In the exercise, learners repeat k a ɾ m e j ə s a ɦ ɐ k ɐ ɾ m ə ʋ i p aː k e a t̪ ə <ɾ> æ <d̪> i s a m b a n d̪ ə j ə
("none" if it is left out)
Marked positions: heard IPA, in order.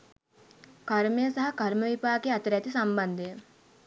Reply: ɾ, t̪

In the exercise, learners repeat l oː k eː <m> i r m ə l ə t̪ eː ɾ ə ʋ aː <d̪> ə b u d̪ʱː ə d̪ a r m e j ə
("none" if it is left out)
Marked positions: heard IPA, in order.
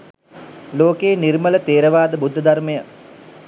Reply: n, d̪

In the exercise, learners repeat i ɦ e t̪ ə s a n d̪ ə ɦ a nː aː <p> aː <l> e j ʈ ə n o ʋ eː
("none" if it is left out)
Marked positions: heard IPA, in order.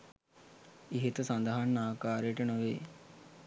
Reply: k, ɾ

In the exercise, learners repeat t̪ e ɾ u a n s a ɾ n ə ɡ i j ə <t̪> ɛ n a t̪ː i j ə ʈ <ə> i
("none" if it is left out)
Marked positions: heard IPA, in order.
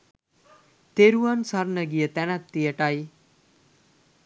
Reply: t̪, a

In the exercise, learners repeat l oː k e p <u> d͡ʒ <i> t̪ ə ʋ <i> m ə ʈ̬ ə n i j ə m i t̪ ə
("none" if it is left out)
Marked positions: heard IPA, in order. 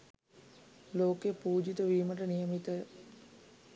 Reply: uː, i, iː

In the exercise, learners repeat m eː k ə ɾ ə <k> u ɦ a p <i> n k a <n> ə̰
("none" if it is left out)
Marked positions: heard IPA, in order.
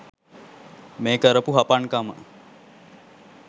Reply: p, a, m

